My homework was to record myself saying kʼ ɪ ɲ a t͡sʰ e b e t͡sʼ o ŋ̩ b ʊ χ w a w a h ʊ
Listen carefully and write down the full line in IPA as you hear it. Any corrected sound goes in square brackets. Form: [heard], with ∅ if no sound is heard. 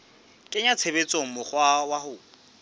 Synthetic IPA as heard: kʼ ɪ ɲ a t͡sʰ e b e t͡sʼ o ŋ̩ [m] ʊ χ w a w a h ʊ